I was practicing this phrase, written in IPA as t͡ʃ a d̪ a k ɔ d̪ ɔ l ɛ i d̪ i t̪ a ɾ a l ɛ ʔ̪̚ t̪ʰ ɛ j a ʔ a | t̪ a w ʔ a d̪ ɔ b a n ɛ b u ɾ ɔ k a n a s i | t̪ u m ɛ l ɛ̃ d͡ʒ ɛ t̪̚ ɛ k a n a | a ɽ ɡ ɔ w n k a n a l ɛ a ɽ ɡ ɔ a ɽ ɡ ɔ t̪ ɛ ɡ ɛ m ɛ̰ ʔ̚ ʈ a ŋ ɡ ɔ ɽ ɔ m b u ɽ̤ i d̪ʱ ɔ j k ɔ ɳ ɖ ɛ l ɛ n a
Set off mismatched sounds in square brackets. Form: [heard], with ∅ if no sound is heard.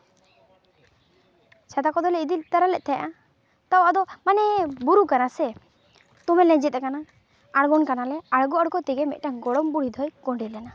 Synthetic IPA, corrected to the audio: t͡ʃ a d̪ a k ɔ d̪ ɔ l ɛ i d̪ i t̪ a ɾ a l ɛ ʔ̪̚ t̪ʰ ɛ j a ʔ a | t̪ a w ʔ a d̪ ɔ [m] a n ɛ b u ɾ [u] k a n a s [ɛ] | t̪ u m ɛ l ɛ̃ d͡ʒ ɛ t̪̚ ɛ k a n a | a ɽ ɡ ɔ [∅] n k a n a l ɛ a ɽ ɡ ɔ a ɽ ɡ ɔ t̪ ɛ ɡ ɛ m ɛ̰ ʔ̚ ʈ a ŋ ɡ ɔ ɽ ɔ m b u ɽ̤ i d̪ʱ ɔ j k ɔ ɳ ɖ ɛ l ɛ n a